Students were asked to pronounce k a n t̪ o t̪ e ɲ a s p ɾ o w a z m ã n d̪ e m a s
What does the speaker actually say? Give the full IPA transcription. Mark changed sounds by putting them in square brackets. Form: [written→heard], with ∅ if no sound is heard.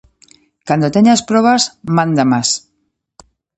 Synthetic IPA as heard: k a n [t̪→d̪] o t̪ e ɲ a s p ɾ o [w→β] a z m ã n d̪ [e→a] m a s